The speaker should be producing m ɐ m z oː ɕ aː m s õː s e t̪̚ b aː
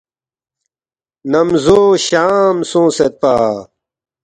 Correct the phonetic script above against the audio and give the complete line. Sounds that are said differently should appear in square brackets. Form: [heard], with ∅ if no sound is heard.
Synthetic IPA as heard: [n] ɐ m z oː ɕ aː m s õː s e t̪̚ [p] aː